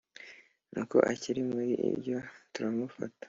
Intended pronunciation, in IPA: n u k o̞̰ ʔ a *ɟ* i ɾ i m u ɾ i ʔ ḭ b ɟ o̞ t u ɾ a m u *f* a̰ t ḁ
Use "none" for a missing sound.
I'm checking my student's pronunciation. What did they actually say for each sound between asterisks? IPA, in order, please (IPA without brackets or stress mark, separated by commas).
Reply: c, f